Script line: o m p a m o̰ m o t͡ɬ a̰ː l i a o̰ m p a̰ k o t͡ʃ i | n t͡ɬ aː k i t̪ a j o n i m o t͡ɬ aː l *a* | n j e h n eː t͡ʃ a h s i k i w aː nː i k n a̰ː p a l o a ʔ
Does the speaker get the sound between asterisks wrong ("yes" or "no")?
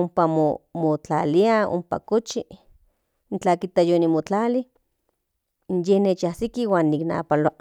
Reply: yes